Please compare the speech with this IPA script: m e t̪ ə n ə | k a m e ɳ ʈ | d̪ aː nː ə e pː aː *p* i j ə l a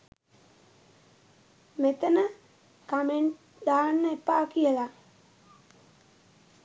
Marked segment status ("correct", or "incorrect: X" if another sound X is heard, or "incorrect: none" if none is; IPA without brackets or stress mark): incorrect: k